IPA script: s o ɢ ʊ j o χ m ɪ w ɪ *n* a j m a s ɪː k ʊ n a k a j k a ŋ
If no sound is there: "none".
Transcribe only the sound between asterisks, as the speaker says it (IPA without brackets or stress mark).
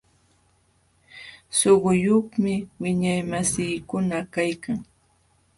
ɲ